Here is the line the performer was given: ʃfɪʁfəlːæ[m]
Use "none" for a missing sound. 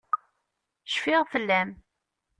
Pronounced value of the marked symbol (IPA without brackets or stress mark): m